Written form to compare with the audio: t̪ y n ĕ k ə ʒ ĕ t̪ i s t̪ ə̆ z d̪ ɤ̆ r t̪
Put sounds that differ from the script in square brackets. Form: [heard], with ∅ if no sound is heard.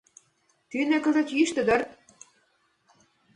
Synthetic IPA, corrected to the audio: t̪ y n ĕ k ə [z] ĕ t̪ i [ʃ] t̪ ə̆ [∅] d̪ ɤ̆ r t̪